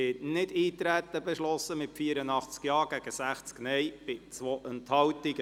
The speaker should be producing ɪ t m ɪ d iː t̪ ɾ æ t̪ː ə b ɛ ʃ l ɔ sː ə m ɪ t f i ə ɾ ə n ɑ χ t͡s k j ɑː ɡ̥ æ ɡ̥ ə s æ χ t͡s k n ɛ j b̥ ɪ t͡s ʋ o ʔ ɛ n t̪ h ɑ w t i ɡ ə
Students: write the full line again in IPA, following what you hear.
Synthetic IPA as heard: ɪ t n ɪ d iː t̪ ɾ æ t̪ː ə b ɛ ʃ l ɔ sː ə m ɪ t f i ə ɾ ə n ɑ χ t͡s k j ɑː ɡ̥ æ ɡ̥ ə s æ χ t͡s k n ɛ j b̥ ɪ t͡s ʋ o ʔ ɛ n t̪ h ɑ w t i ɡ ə